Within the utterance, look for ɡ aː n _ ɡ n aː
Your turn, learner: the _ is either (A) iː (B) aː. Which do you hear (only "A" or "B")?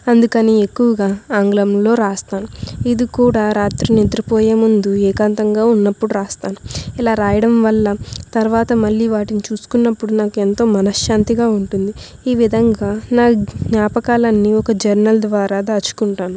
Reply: B